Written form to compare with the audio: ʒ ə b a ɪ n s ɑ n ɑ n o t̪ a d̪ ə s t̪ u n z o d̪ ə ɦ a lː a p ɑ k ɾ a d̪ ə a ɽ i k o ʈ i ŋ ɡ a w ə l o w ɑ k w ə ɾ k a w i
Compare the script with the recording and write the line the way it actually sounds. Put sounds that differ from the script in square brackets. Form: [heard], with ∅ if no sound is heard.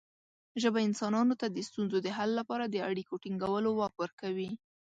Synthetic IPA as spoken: ʒ ə b a ɪ n s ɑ n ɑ n o t̪ a d̪ ə s t̪ u n z o d̪ ə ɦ a lː a p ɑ [∅] ɾ a d̪ ə a ɽ i k o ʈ i ŋ ɡ a w ə l o w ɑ k w ə ɾ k a w i